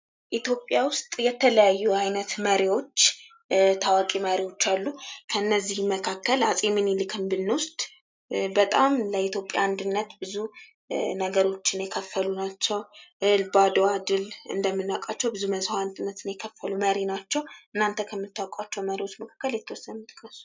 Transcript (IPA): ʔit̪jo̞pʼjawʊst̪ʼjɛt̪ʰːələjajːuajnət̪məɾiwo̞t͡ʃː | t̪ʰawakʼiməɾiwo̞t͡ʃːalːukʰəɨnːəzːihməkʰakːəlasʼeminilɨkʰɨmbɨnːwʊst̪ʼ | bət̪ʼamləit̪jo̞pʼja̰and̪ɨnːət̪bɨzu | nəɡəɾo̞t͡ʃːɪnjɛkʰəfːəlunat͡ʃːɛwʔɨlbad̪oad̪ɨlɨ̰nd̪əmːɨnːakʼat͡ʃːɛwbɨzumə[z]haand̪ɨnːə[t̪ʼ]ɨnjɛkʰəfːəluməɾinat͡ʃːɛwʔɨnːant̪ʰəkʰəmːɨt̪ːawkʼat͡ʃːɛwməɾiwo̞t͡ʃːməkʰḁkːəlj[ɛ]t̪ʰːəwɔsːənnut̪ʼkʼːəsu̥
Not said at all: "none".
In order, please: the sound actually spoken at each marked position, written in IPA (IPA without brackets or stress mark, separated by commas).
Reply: z, t̪, ɛ